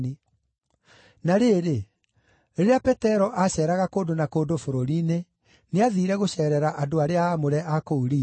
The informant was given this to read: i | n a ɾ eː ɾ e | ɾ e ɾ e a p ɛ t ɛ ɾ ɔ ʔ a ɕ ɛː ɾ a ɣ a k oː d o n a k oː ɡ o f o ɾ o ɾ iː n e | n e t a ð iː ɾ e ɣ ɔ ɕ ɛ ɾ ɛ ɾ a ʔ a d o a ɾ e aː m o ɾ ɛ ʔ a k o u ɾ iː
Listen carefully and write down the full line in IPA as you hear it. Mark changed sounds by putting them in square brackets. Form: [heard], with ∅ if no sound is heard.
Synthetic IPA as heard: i | n a ɾ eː ɾ e | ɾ e ɾ e a p ɛ t ɛ ɾ ɔ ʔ a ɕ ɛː ɾ a ɣ a k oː d o n a k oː [d] o f o ɾ o ɾ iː n e | n e [∅] a ð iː ɾ [ɛ] ɣ [o] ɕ ɛ ɾ ɛ ɾ a ʔ a d o a ɾ e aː m o ɾ ɛ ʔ a k o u ɾ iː